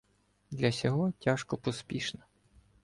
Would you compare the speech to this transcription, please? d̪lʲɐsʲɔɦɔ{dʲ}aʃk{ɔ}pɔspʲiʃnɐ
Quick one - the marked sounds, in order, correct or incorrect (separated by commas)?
incorrect, correct